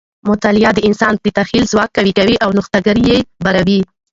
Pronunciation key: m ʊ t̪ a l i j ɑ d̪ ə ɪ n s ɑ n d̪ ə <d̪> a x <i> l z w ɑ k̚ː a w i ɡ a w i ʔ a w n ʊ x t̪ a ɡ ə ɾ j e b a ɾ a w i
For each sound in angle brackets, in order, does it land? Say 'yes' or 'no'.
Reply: no, yes

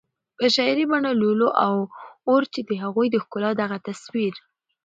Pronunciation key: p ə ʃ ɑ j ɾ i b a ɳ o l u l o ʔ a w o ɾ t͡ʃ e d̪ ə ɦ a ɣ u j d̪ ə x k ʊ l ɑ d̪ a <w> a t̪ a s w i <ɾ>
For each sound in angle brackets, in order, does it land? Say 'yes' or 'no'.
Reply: no, yes

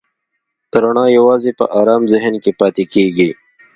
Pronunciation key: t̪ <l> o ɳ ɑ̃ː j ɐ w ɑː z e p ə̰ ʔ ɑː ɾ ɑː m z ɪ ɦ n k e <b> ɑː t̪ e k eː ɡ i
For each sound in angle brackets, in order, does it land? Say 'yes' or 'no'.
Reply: no, no

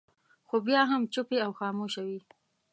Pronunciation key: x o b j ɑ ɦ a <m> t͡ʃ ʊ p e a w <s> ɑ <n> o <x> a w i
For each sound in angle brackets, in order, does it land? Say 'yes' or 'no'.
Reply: yes, no, no, no

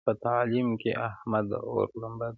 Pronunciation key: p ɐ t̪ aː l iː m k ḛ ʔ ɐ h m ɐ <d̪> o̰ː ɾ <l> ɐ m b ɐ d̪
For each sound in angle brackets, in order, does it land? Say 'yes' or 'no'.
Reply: yes, yes

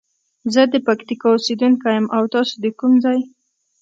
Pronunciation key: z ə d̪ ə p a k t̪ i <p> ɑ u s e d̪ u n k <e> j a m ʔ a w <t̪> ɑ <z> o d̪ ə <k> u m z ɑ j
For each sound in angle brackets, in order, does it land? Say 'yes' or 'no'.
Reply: no, no, yes, no, yes

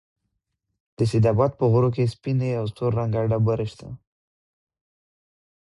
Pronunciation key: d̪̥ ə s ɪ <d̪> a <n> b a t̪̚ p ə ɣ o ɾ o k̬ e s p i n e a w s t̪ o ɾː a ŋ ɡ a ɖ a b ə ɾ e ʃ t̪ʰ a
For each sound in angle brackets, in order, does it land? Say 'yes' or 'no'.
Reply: yes, no

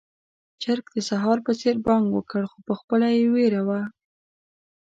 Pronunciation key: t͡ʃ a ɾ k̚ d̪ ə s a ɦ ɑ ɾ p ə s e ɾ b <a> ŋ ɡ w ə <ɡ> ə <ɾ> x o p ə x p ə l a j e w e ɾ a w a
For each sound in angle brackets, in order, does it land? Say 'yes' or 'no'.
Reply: no, no, no

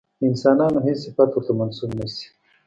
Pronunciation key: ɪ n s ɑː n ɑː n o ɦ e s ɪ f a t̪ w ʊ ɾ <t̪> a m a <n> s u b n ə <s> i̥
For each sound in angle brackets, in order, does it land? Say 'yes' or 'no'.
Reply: yes, yes, yes

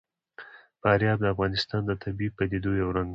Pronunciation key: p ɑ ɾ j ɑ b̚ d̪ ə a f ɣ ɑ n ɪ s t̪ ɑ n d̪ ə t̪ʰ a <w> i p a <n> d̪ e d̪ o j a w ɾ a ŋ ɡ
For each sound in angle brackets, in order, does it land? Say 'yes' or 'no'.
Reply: no, no

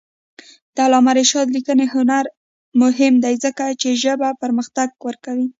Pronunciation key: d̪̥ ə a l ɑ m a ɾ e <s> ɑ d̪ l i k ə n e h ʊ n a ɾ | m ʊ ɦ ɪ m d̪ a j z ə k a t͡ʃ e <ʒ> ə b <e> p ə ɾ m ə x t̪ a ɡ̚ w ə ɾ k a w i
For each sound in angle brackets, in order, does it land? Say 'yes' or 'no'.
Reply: no, yes, no

